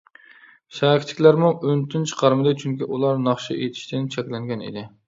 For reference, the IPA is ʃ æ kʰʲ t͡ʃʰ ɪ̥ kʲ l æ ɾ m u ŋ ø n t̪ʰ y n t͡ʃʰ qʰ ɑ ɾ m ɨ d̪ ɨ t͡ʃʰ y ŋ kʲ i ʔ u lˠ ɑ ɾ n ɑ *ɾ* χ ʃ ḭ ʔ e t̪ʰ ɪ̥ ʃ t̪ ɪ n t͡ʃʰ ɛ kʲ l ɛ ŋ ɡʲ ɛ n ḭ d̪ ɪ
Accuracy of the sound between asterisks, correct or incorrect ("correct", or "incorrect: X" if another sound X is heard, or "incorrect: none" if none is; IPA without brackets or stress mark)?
incorrect: none